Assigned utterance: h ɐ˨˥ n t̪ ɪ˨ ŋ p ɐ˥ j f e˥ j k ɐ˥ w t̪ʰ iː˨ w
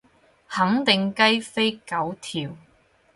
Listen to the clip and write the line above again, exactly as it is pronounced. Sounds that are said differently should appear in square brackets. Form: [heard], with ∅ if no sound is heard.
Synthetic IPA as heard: h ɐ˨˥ [ŋ] t̪ ɪ˨ ŋ [k] ɐ˥ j f e˥ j k [ɐ˨˥] w t̪ʰ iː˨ w